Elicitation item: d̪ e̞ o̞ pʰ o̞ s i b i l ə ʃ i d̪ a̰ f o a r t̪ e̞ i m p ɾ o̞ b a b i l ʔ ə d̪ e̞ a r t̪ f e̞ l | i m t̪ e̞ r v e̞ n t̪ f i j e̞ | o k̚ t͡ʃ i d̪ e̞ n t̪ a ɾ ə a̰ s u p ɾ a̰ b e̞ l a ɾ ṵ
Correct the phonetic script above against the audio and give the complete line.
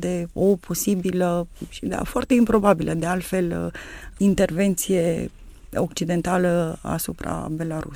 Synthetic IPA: d̪ e̞ o̞ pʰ o̞ s i b i l ə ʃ i d̪ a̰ f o a r t̪ e̞ i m p ɾ o̞ b a b i l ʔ ə d̪ e̞ a l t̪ f e̞ l | i n t̪ e̞ r v e̞ n t̪ s i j e̞ | o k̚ t͡ʃ i d̪ e̞ n t̪ a l ə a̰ s u p ɾ a̰ b e̞ l a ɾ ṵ